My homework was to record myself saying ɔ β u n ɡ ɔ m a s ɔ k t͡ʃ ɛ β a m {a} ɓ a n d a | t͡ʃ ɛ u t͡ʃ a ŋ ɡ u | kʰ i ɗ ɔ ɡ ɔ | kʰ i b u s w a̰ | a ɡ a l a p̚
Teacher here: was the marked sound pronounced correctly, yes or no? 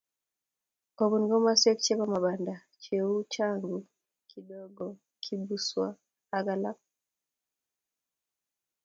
yes